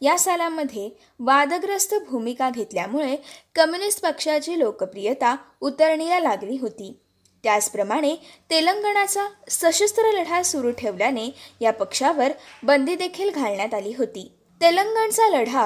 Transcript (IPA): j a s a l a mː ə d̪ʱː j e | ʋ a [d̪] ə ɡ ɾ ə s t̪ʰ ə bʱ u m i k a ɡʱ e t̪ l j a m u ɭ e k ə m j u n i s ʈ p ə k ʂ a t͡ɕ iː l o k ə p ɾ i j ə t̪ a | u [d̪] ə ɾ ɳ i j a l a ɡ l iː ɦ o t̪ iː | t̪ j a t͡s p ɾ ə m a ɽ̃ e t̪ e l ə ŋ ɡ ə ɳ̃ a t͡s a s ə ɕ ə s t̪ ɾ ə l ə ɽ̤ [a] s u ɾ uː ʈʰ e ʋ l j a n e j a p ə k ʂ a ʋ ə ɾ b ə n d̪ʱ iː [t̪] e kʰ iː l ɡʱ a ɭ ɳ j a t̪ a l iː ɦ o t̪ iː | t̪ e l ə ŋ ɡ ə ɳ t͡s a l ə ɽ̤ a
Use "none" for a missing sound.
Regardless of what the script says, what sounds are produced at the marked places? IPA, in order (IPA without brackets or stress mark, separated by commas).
d̪, t̪, a, d̪